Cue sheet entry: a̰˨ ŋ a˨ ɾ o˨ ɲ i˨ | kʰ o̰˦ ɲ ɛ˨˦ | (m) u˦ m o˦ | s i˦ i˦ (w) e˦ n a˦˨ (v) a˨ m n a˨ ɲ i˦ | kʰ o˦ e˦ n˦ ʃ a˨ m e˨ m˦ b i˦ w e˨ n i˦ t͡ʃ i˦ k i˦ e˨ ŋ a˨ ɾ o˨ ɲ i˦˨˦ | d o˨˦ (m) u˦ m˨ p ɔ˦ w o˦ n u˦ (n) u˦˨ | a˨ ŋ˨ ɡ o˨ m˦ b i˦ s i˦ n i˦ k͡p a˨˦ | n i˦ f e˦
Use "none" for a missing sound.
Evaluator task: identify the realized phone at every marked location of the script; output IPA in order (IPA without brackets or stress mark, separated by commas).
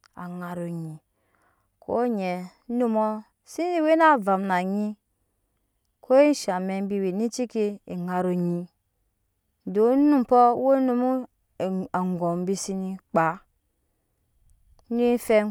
n, w, v, n, m